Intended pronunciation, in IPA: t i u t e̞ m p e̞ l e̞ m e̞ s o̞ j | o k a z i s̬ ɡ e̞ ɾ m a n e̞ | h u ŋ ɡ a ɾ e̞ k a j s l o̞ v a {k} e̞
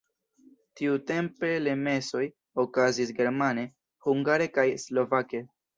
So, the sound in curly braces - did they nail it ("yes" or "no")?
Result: yes